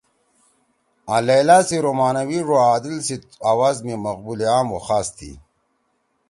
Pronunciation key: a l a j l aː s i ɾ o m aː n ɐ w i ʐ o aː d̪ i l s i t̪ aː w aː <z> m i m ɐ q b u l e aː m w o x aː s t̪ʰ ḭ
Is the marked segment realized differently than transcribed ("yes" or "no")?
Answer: no